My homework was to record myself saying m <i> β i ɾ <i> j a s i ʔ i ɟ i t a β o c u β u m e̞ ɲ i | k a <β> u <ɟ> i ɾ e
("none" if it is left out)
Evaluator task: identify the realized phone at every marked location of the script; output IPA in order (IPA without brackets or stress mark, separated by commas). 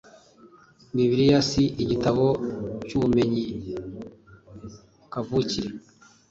i, i, v, c